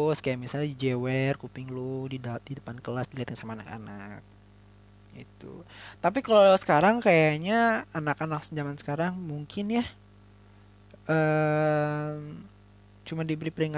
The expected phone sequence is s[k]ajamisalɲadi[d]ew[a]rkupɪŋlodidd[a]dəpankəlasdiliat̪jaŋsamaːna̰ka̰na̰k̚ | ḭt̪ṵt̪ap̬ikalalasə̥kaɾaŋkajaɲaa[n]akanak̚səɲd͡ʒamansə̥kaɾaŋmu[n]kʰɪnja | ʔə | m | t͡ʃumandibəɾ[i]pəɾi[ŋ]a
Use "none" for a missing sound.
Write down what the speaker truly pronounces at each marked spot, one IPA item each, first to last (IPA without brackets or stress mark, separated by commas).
k, d͡ʒ, ɛ, i, n, ŋ, i, ŋ